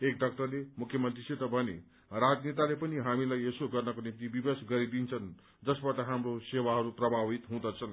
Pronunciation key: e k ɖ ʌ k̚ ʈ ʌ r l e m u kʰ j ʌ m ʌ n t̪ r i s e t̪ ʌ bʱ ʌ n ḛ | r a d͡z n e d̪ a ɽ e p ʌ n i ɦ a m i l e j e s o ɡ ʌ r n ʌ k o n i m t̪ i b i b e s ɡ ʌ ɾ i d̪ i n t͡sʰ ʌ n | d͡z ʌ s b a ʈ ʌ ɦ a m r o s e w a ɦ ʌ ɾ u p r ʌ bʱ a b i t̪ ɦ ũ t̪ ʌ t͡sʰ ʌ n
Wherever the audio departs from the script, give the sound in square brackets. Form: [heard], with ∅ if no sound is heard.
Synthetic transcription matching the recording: e k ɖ ʌ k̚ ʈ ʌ r l e m u kʰ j ʌ m ʌ n t̪ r i s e t̪ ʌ bʱ ʌ n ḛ | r a d͡z n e [t̪] a [l] e p ʌ n i ɦ a m i l [a] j e s o ɡ ʌ r n ʌ k o n i m t̪ i b i b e s ɡ ʌ ɾ i d̪ i n t͡sʰ ʌ n | d͡z ʌ s b a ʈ ʌ ɦ a m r o s e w a ɦ ʌ ɾ u p r ʌ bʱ a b i t̪ ɦ ũ [d̪] ʌ t͡sʰ ʌ n